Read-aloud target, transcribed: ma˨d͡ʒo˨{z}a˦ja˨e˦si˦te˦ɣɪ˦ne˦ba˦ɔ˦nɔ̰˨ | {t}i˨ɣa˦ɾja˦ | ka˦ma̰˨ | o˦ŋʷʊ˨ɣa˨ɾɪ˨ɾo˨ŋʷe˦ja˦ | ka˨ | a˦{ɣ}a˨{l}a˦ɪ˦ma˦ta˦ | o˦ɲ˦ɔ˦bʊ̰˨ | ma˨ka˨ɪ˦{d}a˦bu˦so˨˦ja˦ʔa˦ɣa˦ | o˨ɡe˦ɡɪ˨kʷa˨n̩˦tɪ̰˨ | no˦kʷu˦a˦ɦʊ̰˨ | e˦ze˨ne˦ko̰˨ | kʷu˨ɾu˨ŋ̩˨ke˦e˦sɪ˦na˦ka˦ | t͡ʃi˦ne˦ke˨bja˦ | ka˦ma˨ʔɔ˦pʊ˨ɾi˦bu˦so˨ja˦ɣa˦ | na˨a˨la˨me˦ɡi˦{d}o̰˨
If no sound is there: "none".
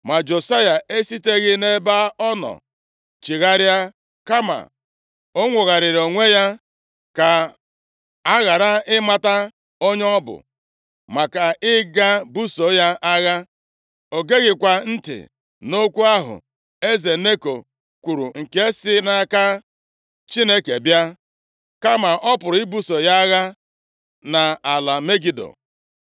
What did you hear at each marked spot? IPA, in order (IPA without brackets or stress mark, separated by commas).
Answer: s, t͡ʃ, ɣ, ɾ, ɡ, d